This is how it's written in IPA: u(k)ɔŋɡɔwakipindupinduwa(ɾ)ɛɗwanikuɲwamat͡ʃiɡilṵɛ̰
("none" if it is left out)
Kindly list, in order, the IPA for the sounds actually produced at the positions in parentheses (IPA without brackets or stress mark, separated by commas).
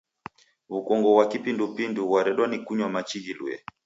k, ɾ